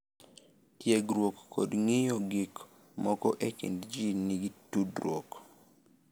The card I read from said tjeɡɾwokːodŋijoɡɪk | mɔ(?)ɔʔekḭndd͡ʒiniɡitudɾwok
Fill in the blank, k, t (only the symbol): k